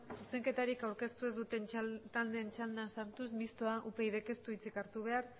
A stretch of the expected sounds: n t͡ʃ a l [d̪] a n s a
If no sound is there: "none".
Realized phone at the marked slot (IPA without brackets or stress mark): d̪